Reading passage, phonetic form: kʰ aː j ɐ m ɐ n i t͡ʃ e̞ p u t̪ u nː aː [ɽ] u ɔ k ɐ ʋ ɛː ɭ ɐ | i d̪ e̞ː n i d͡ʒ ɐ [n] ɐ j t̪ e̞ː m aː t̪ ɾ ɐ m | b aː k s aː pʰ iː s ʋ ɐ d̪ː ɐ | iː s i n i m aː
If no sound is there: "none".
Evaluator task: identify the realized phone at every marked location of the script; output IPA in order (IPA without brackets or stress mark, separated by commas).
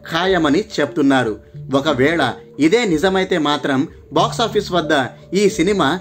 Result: ɾ, m